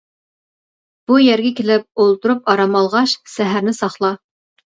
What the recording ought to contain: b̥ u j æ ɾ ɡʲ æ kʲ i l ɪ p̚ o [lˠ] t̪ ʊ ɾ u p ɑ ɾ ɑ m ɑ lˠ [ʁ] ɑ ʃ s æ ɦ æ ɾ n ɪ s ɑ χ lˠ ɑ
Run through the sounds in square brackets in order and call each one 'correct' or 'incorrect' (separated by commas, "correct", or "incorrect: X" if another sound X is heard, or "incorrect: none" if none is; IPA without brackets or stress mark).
correct, correct